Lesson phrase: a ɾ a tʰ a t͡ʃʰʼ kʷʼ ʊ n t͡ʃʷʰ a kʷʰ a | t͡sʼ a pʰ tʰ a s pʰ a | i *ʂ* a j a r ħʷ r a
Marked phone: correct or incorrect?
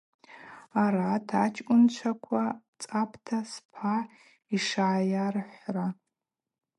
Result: correct